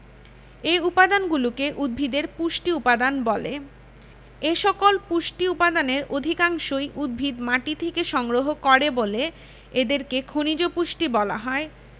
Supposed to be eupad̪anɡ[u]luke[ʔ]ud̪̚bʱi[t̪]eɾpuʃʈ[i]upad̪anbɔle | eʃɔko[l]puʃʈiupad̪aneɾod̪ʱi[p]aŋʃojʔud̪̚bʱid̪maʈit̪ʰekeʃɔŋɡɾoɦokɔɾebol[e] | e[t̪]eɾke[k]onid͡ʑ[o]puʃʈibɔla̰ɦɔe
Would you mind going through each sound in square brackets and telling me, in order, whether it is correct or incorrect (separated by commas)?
correct, correct, incorrect, correct, correct, incorrect, correct, incorrect, incorrect, correct